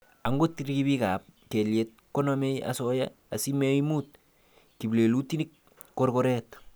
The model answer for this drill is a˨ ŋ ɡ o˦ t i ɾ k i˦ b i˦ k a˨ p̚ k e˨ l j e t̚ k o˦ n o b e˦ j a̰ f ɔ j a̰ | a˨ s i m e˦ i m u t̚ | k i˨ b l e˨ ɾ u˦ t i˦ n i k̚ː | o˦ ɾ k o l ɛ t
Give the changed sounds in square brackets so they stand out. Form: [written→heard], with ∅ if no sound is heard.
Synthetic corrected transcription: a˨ ŋ ɡ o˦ t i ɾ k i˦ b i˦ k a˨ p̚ k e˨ l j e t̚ k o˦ n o [b→m] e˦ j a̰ [f→s] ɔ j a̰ | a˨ s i m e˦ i m u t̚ | k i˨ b l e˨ [ɾ→l] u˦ t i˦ n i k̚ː | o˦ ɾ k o [l→ɾ] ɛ t